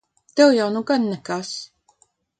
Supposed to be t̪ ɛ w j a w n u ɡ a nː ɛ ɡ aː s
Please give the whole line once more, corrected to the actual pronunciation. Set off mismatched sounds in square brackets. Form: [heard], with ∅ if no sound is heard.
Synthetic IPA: t̪ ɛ w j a w n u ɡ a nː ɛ [k] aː s